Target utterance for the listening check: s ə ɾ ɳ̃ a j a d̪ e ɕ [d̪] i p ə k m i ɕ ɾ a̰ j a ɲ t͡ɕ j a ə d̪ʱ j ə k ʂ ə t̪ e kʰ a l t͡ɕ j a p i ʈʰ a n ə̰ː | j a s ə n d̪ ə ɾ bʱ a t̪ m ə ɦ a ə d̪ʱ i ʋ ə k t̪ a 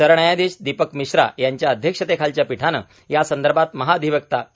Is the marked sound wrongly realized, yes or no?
no